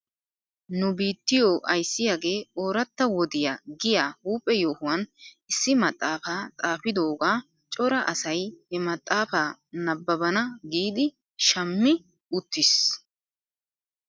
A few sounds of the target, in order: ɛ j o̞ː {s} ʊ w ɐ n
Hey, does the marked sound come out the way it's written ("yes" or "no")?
no